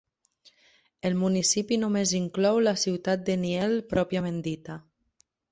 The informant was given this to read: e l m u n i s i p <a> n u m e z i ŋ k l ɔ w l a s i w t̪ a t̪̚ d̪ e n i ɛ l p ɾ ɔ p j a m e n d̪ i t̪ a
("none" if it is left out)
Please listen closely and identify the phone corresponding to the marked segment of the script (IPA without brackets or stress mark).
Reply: i